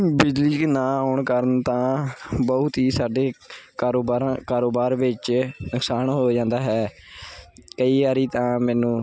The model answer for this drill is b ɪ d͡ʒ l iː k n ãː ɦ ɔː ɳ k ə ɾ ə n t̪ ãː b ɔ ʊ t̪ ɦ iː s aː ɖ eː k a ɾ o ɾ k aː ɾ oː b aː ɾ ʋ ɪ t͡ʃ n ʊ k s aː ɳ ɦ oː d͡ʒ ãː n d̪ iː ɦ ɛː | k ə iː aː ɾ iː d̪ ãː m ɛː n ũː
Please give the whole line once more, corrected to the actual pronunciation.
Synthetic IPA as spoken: b ɪ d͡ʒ l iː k n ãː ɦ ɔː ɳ k ə ɾ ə n t̪ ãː b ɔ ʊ t̪ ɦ iː s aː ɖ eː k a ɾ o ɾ k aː ɾ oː b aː ɾ ʋ ɪ t͡ʃ n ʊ k s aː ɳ ɦ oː d͡ʒ ãː n d̪ aː ɦ ɛː | k ə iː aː ɾ iː t̪ ãː m ɛː n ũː